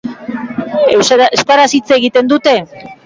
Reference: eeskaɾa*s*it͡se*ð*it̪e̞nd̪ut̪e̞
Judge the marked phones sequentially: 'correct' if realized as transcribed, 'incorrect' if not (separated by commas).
correct, incorrect